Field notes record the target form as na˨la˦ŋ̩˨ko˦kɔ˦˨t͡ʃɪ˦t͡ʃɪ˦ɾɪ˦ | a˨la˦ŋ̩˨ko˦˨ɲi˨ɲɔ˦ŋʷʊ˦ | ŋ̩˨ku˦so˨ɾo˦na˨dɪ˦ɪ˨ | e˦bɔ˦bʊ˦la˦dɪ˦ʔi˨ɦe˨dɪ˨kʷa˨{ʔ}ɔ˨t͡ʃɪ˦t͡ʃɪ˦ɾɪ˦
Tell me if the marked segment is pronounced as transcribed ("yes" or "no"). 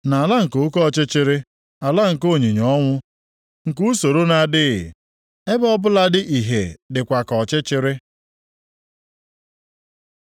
no